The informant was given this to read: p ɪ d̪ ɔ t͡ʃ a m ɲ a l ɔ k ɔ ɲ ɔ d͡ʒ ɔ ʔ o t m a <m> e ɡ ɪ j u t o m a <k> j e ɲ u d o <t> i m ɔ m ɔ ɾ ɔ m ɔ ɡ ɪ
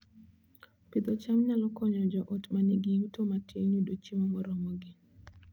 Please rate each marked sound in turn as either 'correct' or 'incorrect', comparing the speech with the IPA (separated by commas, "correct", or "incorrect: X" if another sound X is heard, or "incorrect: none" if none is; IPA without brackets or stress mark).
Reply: incorrect: n, incorrect: t, incorrect: t͡ʃ